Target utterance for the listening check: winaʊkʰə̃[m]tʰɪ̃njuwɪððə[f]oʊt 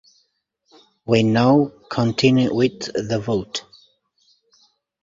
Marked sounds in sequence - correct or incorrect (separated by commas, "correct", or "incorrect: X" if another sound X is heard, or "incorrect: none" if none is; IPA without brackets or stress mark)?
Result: incorrect: n, incorrect: v